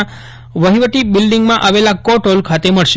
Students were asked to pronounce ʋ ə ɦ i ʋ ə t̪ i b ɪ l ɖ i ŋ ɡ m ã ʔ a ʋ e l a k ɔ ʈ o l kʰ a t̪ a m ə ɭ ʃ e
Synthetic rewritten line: ʋ ə ɦ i ʋ ə t̪ i b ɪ l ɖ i ŋ ɡ m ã ʔ a ʋ e l a k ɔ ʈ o l kʰ a t̪ e m ə ɭ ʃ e